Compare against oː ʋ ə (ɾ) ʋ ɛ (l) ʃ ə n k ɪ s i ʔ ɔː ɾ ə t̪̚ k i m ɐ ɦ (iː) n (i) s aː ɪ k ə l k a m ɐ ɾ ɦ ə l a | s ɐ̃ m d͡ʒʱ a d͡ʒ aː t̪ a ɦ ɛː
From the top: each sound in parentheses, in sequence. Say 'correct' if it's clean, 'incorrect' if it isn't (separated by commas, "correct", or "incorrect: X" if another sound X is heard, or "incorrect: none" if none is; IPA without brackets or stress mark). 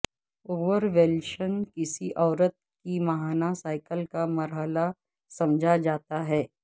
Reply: correct, correct, incorrect: aː, incorrect: a